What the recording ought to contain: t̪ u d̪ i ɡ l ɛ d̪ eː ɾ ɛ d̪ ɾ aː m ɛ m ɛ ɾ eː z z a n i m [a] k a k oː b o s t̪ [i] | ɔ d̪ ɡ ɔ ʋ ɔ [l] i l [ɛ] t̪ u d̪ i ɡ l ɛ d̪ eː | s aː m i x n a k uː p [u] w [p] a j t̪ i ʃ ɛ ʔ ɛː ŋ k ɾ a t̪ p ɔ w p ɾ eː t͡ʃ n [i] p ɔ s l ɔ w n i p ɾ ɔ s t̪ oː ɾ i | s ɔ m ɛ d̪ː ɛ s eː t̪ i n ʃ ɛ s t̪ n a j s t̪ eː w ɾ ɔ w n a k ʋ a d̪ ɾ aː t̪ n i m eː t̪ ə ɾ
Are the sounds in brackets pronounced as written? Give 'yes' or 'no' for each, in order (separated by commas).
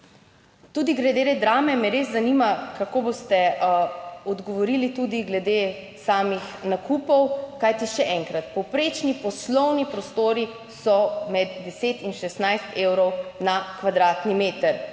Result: yes, no, no, no, no, no, yes